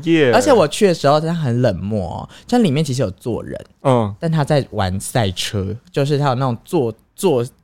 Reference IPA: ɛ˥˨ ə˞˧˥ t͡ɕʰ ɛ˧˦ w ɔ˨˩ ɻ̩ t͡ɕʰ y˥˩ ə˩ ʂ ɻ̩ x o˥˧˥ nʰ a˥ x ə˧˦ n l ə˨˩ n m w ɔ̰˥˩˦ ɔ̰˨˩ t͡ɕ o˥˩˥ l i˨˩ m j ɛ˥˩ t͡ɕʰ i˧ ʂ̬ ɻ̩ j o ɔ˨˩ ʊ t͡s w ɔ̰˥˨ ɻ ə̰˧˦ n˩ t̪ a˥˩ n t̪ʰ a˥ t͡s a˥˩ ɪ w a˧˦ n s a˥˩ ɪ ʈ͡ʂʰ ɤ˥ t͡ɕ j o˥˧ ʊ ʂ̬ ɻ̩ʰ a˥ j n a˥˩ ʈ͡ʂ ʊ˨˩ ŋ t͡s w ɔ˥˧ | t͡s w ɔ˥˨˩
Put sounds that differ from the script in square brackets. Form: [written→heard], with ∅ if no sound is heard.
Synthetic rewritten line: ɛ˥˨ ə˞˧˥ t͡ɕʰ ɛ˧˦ w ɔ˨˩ [ɻ̩→∅] t͡ɕʰ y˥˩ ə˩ ʂ ɻ̩ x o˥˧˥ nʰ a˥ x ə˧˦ n l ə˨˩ n m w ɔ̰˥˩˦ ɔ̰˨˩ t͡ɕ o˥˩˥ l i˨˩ m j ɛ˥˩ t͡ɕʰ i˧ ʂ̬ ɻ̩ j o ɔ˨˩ ʊ t͡s w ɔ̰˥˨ ɻ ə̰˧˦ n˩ t̪ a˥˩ n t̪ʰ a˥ t͡s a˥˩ ɪ w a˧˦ n s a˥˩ ɪ ʈ͡ʂʰ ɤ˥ t͡ɕ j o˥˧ ʊ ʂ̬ ɻ̩ʰ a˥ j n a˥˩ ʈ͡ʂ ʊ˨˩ ŋ t͡s w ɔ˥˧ | t͡s w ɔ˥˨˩